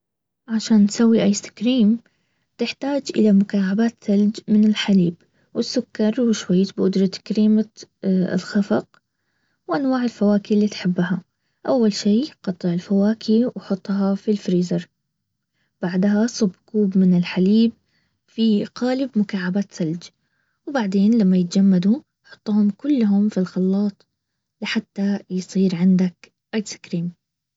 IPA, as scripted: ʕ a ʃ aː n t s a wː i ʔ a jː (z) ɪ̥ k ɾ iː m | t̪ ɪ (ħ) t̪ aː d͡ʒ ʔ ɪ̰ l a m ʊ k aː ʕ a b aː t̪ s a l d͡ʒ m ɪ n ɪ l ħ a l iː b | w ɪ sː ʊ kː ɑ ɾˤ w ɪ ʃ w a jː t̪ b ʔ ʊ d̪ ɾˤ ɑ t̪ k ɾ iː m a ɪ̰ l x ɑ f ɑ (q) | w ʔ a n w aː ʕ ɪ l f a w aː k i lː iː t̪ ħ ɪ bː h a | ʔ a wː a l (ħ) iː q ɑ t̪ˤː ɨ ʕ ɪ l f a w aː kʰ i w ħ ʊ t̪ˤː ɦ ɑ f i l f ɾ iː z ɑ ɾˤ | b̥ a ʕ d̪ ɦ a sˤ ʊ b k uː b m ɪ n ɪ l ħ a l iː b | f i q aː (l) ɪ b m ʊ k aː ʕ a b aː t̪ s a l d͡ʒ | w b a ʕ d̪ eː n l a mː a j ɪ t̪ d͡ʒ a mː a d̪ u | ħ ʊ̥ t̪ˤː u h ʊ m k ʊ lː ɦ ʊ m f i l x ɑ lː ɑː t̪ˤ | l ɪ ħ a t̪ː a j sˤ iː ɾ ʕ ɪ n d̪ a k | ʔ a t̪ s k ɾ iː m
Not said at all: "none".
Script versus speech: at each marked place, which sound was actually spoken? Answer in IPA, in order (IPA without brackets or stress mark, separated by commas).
s, ħ, q, ʃ, l